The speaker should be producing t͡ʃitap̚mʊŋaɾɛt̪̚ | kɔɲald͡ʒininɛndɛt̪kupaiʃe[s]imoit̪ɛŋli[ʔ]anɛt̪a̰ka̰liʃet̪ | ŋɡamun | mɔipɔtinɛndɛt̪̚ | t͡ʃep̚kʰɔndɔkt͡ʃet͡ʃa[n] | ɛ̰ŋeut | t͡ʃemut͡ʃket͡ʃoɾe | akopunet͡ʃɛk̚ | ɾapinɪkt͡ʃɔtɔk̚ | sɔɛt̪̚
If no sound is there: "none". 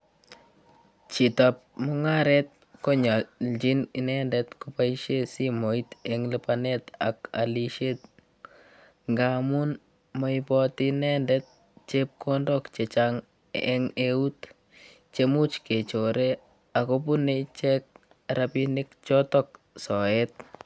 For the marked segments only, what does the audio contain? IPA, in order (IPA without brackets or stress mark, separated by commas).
s, p, ŋ